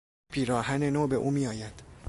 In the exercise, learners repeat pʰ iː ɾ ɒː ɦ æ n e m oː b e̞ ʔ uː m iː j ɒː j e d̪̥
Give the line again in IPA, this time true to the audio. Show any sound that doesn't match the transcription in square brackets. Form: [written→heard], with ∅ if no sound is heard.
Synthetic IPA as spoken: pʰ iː ɾ ɒː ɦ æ n e [m→n] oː b e̞ ʔ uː m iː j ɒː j [e→æ] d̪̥